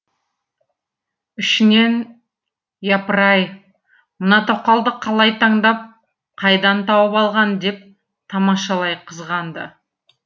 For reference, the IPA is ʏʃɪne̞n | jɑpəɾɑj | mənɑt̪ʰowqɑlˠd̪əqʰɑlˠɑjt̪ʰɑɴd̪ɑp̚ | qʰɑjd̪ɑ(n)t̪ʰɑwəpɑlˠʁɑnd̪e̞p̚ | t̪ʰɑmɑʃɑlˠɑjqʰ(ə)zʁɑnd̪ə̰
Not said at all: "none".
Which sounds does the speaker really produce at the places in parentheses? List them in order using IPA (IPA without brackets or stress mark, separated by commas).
n, ə